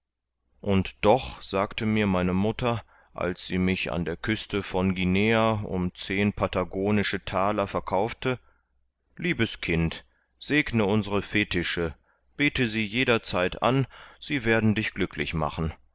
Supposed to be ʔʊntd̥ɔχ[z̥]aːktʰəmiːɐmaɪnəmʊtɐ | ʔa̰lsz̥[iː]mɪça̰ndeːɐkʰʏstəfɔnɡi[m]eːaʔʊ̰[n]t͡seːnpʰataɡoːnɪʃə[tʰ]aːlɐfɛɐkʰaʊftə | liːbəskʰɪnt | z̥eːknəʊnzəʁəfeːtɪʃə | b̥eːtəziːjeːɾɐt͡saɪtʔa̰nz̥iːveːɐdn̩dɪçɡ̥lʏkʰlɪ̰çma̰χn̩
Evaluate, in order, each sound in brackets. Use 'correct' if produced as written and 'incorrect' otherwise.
correct, correct, incorrect: n, incorrect: m, correct

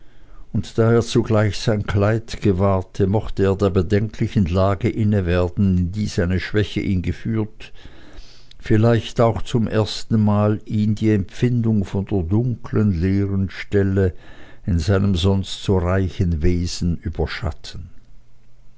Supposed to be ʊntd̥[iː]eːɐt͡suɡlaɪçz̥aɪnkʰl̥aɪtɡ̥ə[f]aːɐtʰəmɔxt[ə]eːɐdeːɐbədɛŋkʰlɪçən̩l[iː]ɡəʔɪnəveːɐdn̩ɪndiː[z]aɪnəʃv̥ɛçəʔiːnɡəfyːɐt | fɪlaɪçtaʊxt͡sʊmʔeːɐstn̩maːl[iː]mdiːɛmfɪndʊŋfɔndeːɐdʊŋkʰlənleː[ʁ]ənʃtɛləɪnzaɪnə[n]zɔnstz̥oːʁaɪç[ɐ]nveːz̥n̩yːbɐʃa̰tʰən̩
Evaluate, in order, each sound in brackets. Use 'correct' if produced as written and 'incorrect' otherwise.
incorrect: aː, incorrect: v, correct, incorrect: aː, correct, correct, correct, incorrect: m, incorrect: ə

